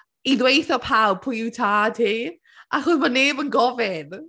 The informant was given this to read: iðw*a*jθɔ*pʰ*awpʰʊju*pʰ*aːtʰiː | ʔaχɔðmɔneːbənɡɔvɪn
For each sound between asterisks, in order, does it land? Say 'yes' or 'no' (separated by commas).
no, yes, no